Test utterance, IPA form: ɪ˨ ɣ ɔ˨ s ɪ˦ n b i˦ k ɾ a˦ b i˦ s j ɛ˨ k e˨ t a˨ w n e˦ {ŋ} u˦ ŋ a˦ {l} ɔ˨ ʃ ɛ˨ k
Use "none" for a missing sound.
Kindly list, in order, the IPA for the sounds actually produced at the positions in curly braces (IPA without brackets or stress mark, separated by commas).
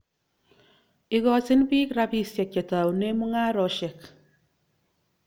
m, ɾ